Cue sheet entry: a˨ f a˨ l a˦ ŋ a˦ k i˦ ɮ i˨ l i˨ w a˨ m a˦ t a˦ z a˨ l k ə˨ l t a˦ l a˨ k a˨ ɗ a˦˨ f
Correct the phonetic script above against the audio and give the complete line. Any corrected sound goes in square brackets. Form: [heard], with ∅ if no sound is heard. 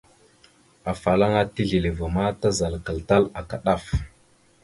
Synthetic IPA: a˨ f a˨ l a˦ ŋ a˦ [t] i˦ ɮ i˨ l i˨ [v] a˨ m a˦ t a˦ z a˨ l k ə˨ l t a˦ l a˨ k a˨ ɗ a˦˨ f